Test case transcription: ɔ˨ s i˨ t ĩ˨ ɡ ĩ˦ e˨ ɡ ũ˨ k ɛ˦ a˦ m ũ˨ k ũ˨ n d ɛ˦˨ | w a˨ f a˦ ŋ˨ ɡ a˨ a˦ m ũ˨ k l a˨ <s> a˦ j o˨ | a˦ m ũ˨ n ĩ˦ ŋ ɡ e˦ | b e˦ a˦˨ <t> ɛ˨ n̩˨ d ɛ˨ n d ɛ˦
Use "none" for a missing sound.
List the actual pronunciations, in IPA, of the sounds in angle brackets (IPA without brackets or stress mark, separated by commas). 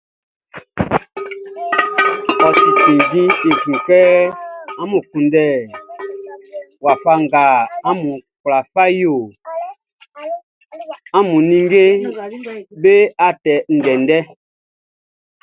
f, t